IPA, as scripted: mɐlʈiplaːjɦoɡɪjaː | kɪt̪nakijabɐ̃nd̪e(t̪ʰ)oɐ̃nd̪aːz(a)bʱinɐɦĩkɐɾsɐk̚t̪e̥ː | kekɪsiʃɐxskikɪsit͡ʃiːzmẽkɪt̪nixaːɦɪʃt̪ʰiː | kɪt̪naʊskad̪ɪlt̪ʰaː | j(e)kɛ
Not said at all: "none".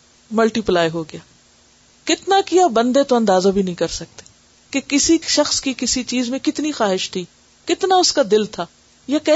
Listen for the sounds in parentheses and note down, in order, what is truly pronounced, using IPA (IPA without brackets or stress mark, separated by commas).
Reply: t̪, a, a